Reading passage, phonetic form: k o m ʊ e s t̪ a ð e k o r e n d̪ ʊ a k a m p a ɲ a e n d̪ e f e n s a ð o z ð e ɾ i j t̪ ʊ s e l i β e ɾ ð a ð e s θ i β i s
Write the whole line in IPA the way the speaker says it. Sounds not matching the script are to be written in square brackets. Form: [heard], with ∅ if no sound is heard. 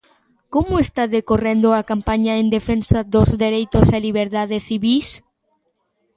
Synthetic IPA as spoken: k o m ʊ e s t̪ a ð e k o r e n d̪ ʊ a k a m p a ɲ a e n d̪ e f e n s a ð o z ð e ɾ [e] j t̪ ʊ s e l i β e ɾ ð a ð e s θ i β i s